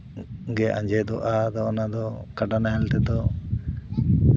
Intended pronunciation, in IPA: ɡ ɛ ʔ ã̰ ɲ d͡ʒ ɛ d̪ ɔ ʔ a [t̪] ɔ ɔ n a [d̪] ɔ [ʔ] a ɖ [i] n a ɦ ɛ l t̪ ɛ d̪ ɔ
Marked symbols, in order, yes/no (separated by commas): no, yes, no, no